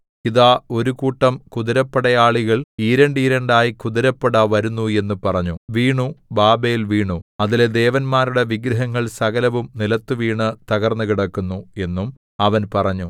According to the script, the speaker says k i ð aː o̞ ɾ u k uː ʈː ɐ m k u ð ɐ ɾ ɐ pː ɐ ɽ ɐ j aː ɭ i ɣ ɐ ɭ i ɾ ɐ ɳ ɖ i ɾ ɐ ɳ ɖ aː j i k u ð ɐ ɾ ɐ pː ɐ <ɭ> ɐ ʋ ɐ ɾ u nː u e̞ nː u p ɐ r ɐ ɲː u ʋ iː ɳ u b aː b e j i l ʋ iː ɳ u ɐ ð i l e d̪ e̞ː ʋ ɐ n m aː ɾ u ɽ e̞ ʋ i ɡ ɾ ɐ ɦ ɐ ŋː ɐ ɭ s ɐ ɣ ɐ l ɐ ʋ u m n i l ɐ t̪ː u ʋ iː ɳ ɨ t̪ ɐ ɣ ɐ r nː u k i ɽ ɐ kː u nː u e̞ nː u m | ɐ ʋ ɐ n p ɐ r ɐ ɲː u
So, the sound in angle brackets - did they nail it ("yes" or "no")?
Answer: no